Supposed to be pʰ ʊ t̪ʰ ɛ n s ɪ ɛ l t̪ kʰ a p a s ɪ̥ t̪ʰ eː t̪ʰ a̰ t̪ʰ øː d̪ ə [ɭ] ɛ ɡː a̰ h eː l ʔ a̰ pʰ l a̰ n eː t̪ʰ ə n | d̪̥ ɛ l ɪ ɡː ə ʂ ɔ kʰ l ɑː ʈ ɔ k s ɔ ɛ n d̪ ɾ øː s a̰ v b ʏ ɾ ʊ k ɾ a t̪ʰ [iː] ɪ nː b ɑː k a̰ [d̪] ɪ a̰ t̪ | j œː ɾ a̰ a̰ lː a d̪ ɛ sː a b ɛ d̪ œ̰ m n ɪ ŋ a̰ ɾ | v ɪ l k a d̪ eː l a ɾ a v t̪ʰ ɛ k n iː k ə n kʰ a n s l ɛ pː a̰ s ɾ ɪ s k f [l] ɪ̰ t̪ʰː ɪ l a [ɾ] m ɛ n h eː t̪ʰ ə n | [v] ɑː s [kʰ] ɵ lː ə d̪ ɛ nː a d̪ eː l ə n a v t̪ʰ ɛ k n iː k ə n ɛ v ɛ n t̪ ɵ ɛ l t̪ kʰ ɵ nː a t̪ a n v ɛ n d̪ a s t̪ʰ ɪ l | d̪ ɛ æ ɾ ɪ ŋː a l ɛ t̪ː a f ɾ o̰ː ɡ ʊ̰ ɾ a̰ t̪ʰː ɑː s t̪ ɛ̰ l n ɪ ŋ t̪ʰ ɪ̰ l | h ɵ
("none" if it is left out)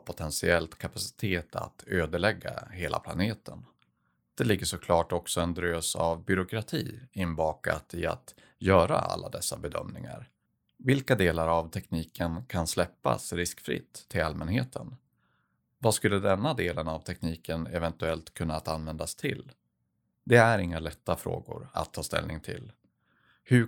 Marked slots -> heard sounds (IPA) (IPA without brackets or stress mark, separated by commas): ɭ, iː, t̪, ɾ, l, v, k